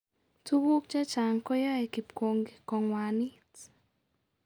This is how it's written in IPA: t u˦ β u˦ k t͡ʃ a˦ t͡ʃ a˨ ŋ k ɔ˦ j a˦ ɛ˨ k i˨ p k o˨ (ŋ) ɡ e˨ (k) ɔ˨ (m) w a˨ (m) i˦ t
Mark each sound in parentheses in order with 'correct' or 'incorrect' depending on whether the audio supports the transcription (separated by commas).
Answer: correct, correct, incorrect, incorrect